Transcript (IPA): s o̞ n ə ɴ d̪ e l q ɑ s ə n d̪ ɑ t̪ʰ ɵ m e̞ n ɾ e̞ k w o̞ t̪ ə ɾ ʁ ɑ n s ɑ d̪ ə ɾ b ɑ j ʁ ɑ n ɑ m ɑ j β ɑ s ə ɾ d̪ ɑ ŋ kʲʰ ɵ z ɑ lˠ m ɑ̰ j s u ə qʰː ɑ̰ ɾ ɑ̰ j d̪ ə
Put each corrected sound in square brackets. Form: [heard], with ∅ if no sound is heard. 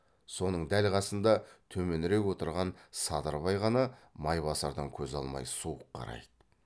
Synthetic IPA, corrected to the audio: s o̞ n ə ɴ d̪ [æ] l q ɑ s ə n d̪ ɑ t̪ʰ ɵ m e̞ n ɾ e̞ k w o̞ t̪ ə ɾ ʁ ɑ n s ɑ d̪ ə ɾ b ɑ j ʁ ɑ n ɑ m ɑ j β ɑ s [ɑ] ɾ d̪ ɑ ŋ kʲʰ ɵ z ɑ lˠ m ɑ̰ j s u ə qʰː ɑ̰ ɾ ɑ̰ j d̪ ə